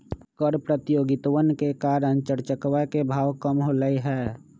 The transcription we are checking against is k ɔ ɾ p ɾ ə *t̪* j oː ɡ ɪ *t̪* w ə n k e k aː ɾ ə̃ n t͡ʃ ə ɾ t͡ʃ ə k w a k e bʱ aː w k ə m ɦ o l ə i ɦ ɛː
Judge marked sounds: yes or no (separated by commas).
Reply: yes, yes